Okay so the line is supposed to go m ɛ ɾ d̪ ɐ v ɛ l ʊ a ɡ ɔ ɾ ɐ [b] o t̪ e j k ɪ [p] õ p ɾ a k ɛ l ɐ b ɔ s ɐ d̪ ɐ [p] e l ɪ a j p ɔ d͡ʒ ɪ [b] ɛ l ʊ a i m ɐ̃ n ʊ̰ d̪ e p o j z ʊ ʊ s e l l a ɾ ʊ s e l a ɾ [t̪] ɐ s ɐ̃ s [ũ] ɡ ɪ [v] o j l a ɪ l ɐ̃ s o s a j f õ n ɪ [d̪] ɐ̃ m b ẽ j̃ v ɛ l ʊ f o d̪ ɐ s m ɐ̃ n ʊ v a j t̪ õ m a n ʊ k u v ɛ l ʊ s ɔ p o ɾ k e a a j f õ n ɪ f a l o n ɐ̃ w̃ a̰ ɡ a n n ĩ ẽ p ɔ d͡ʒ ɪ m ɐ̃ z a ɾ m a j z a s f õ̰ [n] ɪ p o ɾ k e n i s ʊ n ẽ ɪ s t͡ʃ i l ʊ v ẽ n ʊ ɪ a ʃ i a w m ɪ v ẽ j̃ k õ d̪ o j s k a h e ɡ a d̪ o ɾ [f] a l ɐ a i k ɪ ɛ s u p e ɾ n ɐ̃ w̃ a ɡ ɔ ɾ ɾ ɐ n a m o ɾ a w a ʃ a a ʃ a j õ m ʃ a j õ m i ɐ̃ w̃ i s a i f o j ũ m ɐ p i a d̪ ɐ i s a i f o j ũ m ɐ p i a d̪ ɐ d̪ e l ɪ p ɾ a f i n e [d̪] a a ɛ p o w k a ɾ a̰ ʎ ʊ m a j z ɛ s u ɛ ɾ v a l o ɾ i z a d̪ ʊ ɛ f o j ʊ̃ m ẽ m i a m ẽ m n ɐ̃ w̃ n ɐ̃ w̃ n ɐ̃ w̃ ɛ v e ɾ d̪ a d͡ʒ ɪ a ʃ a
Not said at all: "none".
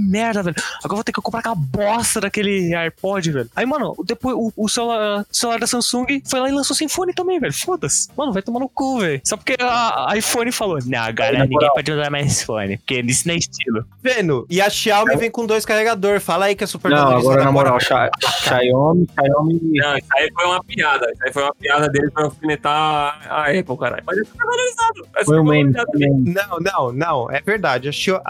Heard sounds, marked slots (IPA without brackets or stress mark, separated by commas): v, k, k, v, d̪, ũ, f, t̪, n, f, t̪